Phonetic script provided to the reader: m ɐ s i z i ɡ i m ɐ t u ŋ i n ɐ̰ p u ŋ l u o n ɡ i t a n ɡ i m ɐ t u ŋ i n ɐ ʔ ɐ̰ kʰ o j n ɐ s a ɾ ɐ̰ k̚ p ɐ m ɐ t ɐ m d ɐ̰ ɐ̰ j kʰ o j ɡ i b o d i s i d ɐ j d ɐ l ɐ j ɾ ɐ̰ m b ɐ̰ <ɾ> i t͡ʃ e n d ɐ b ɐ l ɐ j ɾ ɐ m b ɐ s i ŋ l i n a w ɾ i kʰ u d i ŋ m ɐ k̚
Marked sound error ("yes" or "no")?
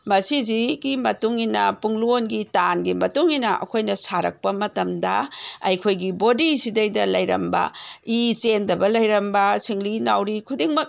yes